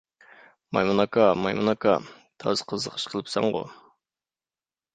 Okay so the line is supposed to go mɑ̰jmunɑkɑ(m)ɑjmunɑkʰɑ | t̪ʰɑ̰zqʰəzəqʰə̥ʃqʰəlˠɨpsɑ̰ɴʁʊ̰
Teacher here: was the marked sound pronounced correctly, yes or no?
yes